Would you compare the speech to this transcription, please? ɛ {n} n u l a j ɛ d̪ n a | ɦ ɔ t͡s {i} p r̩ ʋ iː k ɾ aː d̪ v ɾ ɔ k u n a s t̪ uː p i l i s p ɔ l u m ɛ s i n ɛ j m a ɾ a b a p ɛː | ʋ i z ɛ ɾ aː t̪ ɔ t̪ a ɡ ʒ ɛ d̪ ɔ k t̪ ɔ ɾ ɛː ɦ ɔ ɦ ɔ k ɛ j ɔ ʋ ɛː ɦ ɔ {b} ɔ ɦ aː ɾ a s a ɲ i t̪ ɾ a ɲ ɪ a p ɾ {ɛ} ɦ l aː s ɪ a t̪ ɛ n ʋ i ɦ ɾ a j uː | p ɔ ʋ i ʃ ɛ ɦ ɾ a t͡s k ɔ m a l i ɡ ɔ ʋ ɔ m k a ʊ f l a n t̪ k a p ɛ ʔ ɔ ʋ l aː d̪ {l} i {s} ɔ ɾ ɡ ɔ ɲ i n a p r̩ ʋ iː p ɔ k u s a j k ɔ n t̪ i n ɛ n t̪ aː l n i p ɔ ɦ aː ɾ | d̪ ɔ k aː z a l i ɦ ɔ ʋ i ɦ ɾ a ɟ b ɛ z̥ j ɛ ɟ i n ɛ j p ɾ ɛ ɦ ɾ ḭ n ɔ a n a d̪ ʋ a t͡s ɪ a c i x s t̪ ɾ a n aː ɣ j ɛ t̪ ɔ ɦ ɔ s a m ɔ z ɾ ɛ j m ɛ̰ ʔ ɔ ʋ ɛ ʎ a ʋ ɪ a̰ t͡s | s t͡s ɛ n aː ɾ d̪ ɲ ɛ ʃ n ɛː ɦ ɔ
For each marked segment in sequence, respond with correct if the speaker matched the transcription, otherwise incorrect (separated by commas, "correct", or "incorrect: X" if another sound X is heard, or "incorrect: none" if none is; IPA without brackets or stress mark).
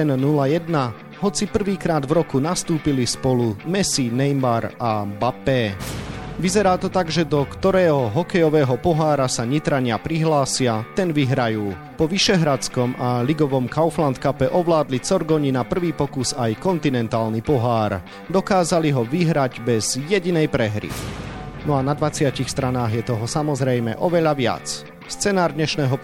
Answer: correct, correct, incorrect: p, incorrect: i, correct, incorrect: t͡s